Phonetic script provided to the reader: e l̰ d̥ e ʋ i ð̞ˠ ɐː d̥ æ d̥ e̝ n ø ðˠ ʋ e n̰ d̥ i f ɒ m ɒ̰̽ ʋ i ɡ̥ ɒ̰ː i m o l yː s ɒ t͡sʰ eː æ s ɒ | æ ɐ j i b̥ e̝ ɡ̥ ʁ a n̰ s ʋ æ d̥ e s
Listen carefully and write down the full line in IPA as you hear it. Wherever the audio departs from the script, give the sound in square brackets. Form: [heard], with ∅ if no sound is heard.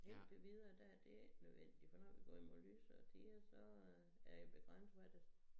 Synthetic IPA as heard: e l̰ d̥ e ʋ i ð̞ˠ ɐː d̥ æ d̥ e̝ n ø ðˠ ʋ e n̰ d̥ i f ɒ [n] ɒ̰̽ ʋ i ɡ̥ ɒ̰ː i m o l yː s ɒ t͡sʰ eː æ s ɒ | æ ɐ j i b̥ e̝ ɡ̥ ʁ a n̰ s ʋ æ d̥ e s

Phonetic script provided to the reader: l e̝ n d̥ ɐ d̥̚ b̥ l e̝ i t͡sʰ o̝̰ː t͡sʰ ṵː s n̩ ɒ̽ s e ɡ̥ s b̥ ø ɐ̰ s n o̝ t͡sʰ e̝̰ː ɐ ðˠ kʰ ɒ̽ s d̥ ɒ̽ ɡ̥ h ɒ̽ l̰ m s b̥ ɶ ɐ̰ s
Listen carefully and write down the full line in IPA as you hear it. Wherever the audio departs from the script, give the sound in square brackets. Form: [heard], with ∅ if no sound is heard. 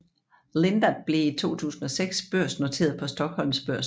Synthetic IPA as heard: l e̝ n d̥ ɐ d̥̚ b̥ l e̝ i t͡sʰ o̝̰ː t͡sʰ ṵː s n̩ ɒ̽ s e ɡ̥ s b̥ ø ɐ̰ s n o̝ t͡sʰ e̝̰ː ɐ ðˠ [pʰ] ɒ̽ s d̥ ɒ̽ ɡ̥ h ɒ̽ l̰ m s b̥ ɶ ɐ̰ s

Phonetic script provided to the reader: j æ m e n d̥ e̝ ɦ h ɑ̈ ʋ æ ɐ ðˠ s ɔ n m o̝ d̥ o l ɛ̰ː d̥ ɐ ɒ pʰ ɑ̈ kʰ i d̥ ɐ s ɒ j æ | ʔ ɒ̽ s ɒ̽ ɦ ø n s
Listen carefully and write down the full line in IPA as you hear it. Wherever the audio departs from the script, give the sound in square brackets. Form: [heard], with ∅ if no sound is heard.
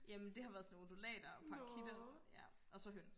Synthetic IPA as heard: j æ m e n d̥ e̝ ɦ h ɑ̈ ʋ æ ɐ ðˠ s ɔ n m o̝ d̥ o l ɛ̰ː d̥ ɐ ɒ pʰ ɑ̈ kʰ i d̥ ɐ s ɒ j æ | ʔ ɒ̽ s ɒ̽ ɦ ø n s

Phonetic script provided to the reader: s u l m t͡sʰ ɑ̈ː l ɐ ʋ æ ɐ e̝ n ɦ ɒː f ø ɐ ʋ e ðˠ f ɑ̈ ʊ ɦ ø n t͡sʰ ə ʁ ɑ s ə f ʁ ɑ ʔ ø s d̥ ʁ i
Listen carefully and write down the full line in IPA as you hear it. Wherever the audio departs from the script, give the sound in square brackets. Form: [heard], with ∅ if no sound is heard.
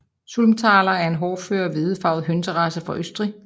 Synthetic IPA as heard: s u l m t͡sʰ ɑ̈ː l ɐ [∅] æ ɐ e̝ n ɦ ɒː f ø ɐ ʋ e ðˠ f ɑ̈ ʊ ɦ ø n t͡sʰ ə ʁ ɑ s ə f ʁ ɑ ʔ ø s d̥ ʁ i

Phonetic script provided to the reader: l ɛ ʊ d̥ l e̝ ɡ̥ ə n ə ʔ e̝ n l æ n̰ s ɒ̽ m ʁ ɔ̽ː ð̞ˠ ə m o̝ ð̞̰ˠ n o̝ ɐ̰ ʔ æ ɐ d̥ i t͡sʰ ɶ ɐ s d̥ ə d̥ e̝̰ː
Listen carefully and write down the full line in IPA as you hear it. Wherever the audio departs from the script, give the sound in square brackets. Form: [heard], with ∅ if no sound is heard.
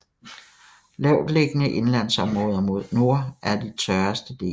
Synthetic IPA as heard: l ɛ ʊ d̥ l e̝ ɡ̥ ə n ə ʔ e̝ n l æ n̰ s ɒ̽ m ʁ ɔ̽ː ð̞ˠ [ɐ] m o̝ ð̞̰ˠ n o̝ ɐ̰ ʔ æ ɐ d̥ i t͡sʰ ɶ ɐ s d̥ ə d̥ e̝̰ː

